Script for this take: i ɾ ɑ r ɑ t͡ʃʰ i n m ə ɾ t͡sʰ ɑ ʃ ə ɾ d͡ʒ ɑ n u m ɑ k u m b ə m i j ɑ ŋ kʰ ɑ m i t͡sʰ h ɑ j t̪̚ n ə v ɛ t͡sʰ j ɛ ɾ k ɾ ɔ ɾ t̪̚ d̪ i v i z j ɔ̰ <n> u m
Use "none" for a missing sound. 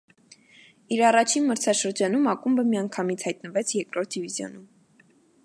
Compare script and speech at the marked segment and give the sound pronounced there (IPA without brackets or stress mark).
n